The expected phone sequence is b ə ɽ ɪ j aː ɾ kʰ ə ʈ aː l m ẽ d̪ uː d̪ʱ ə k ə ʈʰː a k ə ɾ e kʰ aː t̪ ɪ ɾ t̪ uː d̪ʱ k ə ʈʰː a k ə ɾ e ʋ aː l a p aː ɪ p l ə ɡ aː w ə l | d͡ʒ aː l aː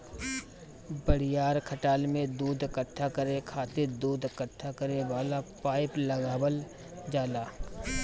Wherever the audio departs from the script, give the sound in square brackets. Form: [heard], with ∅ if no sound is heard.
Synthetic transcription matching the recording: b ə ɽ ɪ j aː ɾ kʰ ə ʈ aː l m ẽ d̪ uː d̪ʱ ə k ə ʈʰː a k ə ɾ e kʰ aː t̪ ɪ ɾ [d̪] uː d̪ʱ k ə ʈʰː a k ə ɾ e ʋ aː l a p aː ɪ p l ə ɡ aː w ə l | d͡ʒ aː l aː